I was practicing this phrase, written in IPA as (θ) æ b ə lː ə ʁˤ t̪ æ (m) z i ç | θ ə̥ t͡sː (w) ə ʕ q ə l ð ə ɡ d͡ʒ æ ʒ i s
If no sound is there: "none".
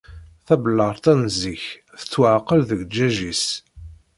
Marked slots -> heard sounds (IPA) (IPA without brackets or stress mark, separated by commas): θ, n, w